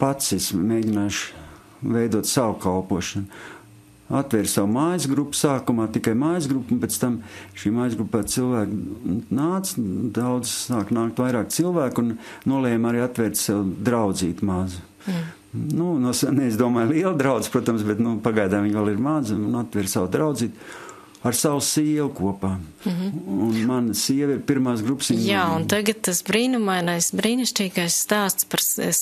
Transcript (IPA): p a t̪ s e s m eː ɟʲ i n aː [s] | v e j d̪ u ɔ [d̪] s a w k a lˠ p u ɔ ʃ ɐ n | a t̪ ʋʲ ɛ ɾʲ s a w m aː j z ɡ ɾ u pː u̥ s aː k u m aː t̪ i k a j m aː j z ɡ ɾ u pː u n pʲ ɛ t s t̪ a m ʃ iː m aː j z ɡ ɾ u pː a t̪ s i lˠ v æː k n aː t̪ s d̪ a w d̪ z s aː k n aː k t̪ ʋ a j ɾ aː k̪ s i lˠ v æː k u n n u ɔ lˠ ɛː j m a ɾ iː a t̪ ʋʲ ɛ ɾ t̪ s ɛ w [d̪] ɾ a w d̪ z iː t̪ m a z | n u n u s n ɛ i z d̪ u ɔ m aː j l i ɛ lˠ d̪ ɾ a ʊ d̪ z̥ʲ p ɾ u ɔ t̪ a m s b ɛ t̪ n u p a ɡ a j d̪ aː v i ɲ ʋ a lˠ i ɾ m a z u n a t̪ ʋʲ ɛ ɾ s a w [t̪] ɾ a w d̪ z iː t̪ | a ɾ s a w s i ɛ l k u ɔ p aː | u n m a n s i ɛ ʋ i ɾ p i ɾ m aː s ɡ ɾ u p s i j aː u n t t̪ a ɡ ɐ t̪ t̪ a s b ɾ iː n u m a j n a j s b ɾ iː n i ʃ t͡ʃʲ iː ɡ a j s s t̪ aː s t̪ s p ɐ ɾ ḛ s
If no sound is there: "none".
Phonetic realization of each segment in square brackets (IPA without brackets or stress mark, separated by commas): ʃ, t̪, d̪, d̪